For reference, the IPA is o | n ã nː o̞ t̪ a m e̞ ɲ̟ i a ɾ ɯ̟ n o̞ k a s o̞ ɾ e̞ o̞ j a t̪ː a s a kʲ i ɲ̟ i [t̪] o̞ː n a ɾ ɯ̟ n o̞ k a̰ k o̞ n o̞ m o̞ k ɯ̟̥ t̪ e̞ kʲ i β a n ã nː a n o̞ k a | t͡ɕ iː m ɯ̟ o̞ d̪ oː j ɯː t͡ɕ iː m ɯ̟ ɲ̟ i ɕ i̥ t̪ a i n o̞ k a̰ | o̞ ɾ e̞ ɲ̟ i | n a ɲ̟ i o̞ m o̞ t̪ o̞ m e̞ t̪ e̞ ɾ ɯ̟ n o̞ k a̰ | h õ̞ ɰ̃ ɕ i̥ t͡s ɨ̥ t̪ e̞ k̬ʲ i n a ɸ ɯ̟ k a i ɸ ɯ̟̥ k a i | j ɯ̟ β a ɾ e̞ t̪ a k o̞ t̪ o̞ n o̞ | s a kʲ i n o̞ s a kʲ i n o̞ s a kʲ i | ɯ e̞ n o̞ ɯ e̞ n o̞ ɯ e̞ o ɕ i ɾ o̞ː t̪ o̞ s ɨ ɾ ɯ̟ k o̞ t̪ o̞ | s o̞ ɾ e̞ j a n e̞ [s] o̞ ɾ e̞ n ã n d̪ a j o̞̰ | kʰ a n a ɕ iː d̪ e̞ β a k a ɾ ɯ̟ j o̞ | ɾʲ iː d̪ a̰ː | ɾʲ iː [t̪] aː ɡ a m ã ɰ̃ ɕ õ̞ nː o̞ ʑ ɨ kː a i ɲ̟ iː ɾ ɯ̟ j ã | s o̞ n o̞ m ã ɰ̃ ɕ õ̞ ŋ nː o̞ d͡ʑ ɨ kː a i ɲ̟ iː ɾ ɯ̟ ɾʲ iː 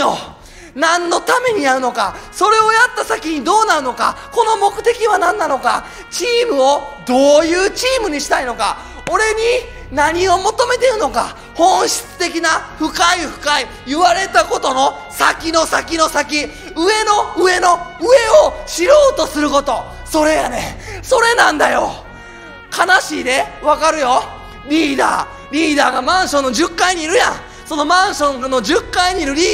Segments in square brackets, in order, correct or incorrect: incorrect: d̪, correct, incorrect: d̪

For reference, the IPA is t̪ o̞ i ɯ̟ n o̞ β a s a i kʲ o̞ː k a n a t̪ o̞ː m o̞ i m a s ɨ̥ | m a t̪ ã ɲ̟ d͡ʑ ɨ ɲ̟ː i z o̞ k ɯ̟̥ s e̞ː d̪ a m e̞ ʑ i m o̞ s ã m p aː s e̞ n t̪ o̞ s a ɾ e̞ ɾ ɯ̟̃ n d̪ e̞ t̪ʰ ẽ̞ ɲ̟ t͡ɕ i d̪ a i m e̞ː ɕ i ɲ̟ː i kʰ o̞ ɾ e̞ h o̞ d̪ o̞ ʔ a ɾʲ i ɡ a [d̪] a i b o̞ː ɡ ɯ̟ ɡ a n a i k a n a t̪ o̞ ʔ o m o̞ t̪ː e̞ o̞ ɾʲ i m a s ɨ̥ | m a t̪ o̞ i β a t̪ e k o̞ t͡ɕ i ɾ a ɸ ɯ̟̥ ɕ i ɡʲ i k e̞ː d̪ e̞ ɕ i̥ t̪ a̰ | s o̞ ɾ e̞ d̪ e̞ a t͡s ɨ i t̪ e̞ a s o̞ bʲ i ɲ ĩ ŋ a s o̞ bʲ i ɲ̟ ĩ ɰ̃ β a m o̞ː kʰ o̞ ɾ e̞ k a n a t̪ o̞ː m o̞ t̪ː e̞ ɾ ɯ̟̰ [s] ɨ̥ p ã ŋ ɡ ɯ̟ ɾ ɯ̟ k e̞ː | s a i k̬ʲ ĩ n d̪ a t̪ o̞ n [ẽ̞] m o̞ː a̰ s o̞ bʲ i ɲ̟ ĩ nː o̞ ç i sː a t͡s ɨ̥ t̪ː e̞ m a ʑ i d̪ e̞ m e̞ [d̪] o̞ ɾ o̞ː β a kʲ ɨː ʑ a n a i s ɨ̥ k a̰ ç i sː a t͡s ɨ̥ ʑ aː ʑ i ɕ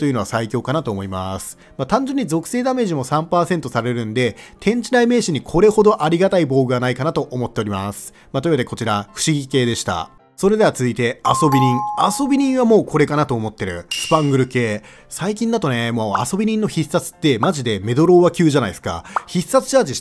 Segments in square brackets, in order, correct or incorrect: incorrect: t̪, correct, incorrect: e̞, correct

